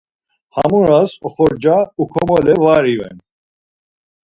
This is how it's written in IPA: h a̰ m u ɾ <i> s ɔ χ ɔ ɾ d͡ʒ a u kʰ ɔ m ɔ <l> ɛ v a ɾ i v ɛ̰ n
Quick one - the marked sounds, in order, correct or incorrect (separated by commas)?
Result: incorrect, correct